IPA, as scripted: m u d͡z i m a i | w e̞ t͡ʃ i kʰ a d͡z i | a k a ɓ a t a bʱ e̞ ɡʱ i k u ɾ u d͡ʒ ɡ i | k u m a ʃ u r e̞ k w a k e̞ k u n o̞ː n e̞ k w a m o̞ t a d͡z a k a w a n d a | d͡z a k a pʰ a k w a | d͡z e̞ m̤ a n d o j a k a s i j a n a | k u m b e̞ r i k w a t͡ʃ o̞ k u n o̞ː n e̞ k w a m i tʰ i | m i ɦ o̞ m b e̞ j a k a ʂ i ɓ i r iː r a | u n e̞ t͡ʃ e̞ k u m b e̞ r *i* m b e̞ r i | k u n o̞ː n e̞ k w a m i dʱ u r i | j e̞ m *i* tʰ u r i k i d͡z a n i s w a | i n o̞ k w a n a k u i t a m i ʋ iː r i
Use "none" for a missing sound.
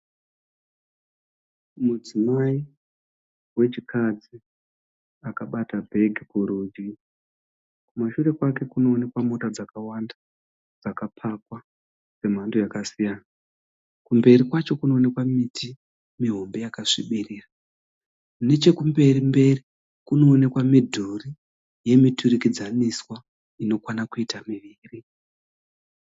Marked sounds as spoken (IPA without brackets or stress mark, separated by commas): i, i